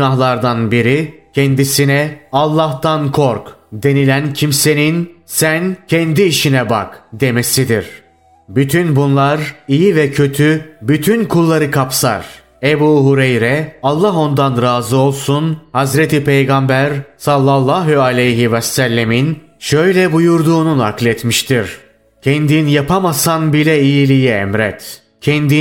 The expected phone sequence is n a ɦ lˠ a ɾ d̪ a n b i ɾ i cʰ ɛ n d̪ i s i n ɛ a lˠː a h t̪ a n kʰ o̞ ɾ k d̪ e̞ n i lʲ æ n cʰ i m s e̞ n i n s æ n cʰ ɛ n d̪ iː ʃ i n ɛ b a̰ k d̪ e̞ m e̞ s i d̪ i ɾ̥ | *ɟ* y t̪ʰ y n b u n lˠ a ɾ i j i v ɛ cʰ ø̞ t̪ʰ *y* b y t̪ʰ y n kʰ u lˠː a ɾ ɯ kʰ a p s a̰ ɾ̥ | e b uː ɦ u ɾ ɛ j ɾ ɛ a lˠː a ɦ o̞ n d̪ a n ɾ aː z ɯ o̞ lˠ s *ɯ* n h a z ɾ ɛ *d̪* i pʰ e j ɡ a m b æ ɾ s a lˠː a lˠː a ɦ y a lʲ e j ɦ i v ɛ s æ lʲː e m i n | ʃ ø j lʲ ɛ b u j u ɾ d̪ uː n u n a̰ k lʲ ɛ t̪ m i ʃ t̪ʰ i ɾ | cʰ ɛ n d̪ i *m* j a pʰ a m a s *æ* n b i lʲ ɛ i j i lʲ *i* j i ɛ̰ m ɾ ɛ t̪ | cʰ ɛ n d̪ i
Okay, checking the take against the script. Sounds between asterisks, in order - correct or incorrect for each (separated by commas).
incorrect, correct, incorrect, incorrect, incorrect, incorrect, correct